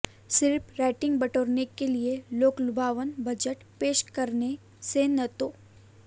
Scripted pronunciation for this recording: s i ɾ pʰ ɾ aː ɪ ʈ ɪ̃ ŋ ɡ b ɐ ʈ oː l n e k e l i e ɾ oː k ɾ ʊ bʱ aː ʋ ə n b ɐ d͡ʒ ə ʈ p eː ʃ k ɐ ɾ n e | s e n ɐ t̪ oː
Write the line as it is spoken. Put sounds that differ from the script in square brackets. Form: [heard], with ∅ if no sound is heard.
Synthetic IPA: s [ɪ] ɾ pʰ ɾ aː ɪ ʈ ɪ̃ ŋ ɡ b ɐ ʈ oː [ɾ] n e k e l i e [l] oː k [l] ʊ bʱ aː ʋ ə n b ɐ d͡ʒ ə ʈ p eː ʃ k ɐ ɾ n e | s e n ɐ t̪ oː